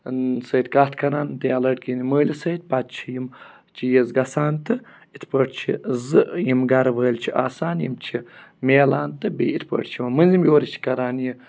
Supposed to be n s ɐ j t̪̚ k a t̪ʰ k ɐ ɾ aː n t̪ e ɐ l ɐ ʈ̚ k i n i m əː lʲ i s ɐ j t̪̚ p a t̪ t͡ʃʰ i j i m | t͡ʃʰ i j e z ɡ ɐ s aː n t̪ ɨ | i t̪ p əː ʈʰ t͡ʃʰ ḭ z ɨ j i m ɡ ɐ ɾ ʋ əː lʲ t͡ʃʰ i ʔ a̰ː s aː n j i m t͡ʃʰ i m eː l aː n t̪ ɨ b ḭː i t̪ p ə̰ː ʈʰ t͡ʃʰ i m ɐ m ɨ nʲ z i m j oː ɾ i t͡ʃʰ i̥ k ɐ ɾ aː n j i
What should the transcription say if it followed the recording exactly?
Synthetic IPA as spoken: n s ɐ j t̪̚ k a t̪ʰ k ɐ ɾ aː n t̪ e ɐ l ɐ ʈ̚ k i n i m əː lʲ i s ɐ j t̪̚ p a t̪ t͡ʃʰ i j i m | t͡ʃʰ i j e z ɡ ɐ s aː n t̪ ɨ | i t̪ p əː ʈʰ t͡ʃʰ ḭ z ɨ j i m ɡ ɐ ɾ ʋ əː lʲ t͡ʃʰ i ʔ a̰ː s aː n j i m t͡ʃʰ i m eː l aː n t̪ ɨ b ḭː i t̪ p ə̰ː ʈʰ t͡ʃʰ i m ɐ m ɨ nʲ z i m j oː ɾ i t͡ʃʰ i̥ k ɐ ɾ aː n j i